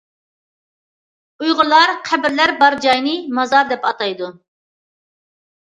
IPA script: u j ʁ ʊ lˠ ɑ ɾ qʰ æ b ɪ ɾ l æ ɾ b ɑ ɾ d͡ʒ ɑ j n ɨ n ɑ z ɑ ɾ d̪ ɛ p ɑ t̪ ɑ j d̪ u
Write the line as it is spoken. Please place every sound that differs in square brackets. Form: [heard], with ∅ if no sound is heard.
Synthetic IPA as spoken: u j ʁ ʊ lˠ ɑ ɾ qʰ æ b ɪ ɾ l æ ɾ b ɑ ɾ d͡ʒ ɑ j n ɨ [m] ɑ z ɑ ɾ d̪ ɛ p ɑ t̪ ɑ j d̪ u